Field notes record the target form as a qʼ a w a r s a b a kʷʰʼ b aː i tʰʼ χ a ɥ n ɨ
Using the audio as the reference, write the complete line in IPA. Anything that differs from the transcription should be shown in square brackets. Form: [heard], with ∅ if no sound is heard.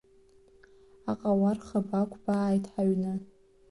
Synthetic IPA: a qʼ a w a r [χ] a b a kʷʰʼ b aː [j] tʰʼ [ħ] a ɥ n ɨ